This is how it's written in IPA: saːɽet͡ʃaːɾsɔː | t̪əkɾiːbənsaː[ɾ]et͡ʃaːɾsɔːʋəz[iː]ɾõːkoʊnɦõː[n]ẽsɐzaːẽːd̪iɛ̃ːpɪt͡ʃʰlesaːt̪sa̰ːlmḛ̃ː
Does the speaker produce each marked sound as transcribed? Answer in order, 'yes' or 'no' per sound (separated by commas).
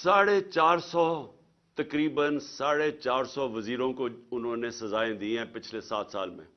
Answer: no, yes, yes